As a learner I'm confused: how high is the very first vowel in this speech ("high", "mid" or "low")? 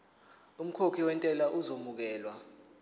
high